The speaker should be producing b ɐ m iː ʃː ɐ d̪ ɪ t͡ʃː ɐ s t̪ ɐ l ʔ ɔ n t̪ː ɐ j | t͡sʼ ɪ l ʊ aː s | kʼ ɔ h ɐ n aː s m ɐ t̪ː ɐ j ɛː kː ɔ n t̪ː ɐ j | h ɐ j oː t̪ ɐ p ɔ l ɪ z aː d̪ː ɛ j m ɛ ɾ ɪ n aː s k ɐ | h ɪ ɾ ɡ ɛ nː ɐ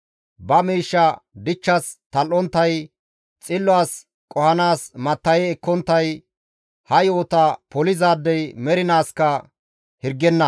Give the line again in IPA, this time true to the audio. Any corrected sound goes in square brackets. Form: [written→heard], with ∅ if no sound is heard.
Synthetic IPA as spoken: b ɐ m iː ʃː ɐ d̪ ɪ t͡ʃː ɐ s t̪ ɐ l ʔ ɔ n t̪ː ɐ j | t͡sʼ ɪ [l→lː] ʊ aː s | kʼ ɔ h ɐ n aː s m ɐ t̪ː ɐ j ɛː kː ɔ n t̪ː ɐ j | h ɐ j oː t̪ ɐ p ɔ l ɪ z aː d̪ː ɛ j m ɛ ɾ ɪ n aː s k ɐ | h ɪ ɾ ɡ ɛ nː ɐ